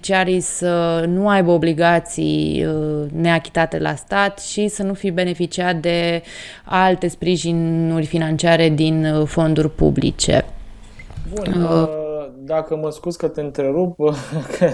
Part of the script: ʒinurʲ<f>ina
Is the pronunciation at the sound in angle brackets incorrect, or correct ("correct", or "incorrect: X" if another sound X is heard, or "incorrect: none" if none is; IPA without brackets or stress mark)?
correct